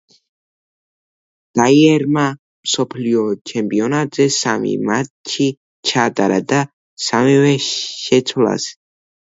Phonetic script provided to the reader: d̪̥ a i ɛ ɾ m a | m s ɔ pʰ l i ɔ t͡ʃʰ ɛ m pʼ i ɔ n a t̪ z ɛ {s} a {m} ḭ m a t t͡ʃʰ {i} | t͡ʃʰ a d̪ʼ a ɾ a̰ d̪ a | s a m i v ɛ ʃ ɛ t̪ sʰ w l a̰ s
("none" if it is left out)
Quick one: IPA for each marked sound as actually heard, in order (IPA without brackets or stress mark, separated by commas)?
s, m, i